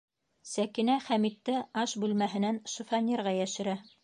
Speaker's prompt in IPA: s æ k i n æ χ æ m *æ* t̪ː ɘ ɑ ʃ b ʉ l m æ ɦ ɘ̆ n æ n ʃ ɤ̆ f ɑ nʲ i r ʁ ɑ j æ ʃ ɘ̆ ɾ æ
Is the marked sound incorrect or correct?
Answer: incorrect: i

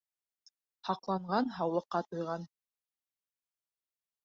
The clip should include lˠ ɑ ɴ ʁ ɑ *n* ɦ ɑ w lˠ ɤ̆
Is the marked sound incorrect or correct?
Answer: correct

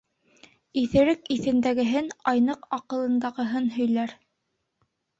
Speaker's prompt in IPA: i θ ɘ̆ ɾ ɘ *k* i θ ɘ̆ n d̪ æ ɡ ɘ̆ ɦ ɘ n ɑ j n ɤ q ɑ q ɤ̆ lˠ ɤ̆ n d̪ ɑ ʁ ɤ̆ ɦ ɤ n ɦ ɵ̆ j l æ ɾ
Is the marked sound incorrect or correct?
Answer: correct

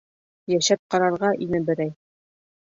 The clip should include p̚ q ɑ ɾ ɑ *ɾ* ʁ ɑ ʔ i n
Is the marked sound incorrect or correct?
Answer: correct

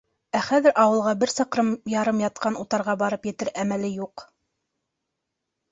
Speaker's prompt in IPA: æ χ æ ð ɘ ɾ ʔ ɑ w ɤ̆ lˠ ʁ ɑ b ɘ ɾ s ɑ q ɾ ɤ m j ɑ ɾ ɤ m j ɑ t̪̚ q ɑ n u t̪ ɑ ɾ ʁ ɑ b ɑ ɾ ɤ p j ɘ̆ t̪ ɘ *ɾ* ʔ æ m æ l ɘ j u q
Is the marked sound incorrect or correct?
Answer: correct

